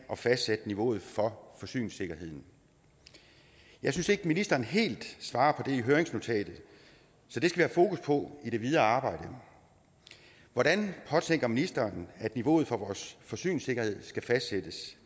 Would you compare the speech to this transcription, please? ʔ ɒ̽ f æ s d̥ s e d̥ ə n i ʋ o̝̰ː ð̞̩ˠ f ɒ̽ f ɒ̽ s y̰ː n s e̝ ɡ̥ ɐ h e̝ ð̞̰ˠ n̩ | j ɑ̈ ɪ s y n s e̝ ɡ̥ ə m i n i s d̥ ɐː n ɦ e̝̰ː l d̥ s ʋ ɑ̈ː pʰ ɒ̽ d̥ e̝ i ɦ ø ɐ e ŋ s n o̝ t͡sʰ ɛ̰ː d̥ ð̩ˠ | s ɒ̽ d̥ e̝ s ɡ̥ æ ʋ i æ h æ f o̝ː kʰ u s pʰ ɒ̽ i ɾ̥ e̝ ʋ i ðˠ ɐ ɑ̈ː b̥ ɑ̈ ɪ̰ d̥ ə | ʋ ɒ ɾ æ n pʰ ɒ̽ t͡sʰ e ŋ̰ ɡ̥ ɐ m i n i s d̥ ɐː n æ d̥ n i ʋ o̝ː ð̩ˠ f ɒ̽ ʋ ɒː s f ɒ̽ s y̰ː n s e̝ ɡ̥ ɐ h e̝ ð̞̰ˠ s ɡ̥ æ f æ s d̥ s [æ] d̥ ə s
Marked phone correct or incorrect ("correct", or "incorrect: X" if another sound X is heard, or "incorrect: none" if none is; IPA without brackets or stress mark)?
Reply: incorrect: e